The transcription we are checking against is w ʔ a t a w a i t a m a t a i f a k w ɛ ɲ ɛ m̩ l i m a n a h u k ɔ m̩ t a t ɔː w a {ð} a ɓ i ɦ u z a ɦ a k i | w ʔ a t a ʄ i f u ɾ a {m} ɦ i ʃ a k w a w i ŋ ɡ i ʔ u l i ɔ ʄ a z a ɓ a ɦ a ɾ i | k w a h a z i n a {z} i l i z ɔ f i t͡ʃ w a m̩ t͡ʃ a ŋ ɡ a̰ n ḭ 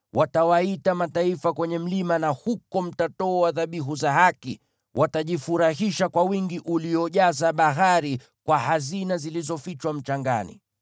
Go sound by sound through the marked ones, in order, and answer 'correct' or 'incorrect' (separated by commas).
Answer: correct, incorrect, correct